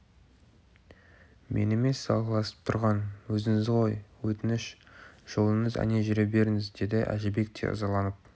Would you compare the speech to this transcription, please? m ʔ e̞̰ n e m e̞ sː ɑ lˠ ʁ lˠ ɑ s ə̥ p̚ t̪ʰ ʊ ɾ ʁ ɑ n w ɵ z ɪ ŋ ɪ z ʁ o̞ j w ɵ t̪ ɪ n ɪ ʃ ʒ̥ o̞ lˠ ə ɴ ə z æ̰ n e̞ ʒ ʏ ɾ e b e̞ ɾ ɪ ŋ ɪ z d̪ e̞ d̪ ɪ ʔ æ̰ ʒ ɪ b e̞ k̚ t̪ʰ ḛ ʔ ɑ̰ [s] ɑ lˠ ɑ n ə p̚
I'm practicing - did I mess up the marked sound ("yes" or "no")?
yes